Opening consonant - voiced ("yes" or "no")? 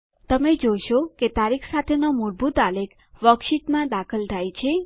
no